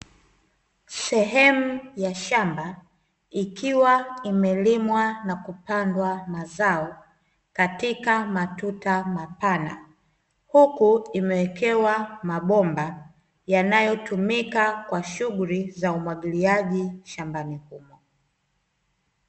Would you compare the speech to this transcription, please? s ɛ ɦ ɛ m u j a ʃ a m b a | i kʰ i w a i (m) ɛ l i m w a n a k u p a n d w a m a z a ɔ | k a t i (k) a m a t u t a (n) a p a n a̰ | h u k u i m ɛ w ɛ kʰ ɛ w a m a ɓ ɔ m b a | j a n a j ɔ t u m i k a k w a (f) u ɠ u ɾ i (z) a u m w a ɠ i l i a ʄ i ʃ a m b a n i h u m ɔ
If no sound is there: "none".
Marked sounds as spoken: m, k, m, ʃ, z

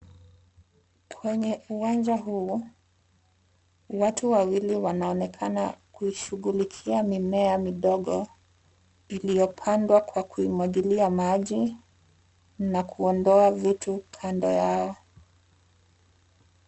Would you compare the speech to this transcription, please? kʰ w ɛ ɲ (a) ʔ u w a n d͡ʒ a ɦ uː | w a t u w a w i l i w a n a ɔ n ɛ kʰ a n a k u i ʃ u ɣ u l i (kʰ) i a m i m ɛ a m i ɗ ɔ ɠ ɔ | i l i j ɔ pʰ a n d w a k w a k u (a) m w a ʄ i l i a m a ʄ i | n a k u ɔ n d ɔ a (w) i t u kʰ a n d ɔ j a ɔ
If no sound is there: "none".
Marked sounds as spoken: ɛ, kʰ, i, v

